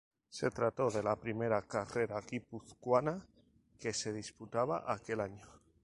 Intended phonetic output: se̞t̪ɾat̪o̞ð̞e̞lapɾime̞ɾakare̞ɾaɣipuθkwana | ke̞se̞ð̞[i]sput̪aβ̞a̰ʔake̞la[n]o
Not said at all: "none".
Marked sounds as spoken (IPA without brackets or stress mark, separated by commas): i, ɲ